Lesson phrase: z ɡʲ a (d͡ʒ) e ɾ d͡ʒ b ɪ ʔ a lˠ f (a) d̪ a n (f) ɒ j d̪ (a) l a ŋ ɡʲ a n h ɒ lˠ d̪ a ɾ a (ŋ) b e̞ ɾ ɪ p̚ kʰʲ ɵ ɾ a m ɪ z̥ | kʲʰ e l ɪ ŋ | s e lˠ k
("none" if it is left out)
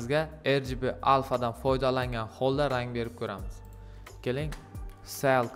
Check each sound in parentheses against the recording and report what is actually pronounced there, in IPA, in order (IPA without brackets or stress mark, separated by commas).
none, a, f, a, ŋ